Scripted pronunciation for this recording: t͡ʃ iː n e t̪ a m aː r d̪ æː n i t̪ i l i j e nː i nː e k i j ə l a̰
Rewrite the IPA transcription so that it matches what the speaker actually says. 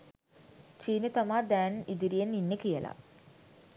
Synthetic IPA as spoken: t͡ʃ iː n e t̪ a m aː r d̪ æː n i d̪ i ɾ i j e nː i nː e k i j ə l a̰

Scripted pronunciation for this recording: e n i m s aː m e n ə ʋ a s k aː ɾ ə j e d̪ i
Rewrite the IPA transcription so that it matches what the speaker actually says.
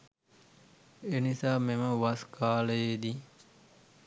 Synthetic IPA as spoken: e n i s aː m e m ə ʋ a s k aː l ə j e d̪ i

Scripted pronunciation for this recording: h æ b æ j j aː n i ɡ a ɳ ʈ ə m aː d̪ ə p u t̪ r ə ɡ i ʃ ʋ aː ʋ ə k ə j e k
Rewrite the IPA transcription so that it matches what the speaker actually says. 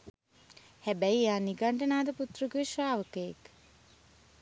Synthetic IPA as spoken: h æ b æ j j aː n i ɡ a ɳ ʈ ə n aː d̪ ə p u t̪ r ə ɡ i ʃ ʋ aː ʋ ə k ə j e k

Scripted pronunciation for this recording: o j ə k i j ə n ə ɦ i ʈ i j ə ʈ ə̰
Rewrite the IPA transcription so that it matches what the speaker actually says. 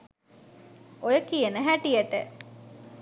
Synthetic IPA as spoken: o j ə k i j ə n ə ɦ æ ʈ i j ə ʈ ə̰

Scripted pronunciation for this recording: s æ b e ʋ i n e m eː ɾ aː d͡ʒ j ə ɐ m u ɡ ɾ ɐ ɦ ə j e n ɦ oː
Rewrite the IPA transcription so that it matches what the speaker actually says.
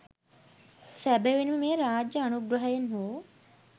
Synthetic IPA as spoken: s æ b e ʋ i n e m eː ɾ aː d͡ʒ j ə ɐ n u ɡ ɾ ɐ ɦ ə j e n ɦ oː

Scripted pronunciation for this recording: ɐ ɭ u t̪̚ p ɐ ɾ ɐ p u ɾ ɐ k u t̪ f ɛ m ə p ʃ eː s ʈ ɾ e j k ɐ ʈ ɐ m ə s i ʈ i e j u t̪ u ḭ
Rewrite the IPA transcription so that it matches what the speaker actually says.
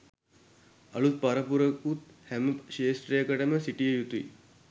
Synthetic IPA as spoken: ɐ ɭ u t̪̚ p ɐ ɾ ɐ p u ɾ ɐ k u t̪ h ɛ m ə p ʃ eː s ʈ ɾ e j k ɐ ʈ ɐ m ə s i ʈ i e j u t̪ u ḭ

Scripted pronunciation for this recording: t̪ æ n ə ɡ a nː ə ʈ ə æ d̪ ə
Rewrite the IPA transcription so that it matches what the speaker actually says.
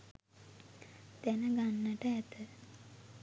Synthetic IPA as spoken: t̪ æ n ə ɡ a nː ə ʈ ə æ t̪ ə

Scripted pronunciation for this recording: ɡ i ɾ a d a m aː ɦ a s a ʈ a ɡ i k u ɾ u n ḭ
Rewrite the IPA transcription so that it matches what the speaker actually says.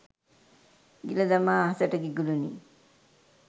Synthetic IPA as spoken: ɡ i l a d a m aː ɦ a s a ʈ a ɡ i ɡ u l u n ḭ

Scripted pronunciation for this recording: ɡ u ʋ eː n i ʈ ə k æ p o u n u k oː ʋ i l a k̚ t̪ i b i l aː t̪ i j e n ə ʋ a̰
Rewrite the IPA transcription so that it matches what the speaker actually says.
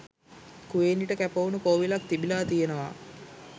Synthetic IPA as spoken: k u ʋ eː n i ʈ ə k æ p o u n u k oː ʋ i l a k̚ t̪ i b i l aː t̪ i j e n ə ʋ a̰

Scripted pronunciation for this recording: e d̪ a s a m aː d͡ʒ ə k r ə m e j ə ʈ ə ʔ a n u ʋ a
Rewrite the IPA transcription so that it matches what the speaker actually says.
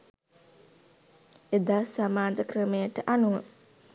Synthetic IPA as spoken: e d̪ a s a m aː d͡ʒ ə k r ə m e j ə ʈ ə ʔ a n u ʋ ə

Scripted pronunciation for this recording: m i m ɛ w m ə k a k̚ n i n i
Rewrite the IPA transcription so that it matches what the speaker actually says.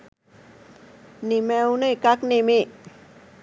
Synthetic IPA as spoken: n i m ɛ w n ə k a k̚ n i m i

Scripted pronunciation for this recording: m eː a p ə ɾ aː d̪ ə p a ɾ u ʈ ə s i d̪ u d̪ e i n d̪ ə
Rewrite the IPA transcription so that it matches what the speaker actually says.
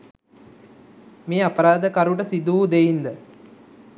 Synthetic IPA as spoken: m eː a p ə ɾ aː d̪ ə k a ɾ u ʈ ə s i d̪ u d̪ e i n d̪ ə

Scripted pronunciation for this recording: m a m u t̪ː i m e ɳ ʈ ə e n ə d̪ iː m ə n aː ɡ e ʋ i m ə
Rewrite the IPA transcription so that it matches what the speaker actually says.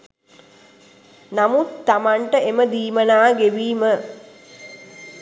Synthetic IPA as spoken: n a m u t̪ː a m a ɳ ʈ ə e m ə d̪ iː m ə n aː ɡ e ʋ iː m ə

